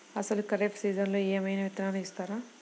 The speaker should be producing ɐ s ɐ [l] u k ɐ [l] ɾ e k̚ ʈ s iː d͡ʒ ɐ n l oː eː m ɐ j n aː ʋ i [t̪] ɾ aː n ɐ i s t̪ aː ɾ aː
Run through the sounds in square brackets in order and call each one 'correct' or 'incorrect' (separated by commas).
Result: correct, incorrect, correct